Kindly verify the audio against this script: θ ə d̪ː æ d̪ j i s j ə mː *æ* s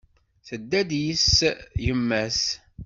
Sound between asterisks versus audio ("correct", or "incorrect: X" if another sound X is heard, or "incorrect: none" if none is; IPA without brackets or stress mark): correct